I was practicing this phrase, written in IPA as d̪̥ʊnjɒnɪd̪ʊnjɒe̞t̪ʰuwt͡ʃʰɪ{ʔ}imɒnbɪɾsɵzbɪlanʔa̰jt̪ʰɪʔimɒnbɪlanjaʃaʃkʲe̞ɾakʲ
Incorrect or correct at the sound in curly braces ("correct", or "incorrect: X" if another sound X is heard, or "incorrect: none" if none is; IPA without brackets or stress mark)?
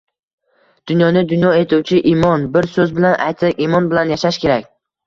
correct